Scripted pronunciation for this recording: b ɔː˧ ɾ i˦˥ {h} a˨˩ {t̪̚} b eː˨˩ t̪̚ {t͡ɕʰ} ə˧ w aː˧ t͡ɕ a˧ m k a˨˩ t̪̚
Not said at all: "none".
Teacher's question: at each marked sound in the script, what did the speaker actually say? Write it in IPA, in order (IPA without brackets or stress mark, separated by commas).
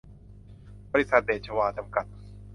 s, t̪̚, t͡ɕʰ